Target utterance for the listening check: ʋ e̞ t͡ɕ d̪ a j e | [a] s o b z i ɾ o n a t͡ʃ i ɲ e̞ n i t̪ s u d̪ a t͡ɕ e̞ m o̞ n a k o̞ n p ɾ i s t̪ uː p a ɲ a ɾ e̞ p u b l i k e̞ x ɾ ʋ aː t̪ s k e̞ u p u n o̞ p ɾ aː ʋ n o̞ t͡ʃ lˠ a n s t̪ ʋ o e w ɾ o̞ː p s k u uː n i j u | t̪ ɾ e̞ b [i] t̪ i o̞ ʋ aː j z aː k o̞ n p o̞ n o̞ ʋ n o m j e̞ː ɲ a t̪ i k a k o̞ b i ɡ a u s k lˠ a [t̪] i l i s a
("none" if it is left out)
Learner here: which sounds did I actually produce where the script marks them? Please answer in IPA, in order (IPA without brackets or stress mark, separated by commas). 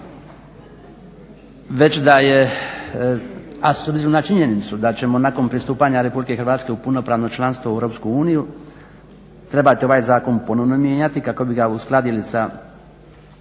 a, a, d̪